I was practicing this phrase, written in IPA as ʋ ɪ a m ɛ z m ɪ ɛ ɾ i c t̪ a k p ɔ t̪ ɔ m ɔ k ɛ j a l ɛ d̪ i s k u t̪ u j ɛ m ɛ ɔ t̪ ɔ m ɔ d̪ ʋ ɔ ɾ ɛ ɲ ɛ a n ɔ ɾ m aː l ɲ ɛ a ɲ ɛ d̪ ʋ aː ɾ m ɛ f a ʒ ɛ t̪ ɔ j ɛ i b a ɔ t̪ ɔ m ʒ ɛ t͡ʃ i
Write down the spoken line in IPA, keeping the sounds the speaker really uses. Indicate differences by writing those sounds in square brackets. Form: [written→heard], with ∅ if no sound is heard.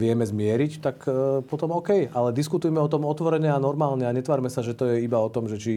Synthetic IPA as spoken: ʋ ɪ [a→ɛ] m ɛ z m ɪ ɛ ɾ i c t̪ a k p ɔ t̪ ɔ m ɔ k ɛ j a l ɛ d̪ i s k u t̪ u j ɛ m ɛ ɔ t̪ ɔ m ɔ [d̪→t̪] ʋ ɔ ɾ ɛ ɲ ɛ a n ɔ ɾ m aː l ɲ ɛ a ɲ ɛ [d̪→t̪] ʋ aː ɾ m ɛ [f→s] a ʒ ɛ t̪ ɔ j ɛ i b a ɔ t̪ ɔ m ʒ ɛ t͡ʃ i